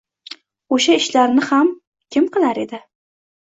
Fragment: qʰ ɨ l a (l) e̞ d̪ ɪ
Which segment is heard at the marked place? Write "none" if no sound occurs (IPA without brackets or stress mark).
ɾ